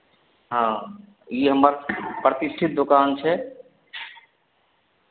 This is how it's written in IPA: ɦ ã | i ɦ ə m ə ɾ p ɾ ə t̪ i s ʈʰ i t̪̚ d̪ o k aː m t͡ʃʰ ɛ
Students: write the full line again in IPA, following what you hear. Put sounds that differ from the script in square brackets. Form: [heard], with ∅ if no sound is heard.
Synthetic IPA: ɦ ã | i ɦ ə m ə ɾ p ɾ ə t̪ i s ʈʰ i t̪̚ d̪ o k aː [n] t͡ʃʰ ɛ